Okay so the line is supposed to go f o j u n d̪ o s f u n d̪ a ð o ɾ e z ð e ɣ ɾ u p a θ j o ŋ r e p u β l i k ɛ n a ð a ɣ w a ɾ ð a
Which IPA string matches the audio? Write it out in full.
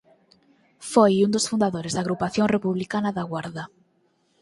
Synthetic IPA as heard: f o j u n d̪ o s f u n d̪ a ð o ɾ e z ð a ɣ ɾ u p a θ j o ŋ r e p u β l i k a n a ð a ɣ w a ɾ ð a